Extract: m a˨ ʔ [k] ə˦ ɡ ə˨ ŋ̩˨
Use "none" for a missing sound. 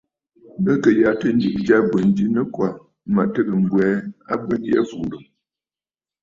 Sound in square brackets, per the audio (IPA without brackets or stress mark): t